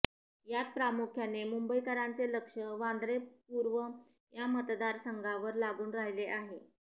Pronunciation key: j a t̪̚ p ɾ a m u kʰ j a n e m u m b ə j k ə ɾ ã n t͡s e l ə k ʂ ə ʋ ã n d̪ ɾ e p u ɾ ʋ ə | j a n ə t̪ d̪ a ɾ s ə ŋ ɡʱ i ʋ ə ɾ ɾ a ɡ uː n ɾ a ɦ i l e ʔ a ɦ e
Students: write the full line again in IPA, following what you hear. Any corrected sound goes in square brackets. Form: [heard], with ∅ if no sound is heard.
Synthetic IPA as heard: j a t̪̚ p ɾ a m u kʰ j a n e m u m b ə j k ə ɾ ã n t͡s e l ə k ʂ ə ʋ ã n d̪ ɾ e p u ɾ ʋ ə | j a [m] ə t̪ d̪ a ɾ s ə ŋ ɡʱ [a] ʋ ə ɾ [l] a ɡ uː n ɾ a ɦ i l e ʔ a ɦ e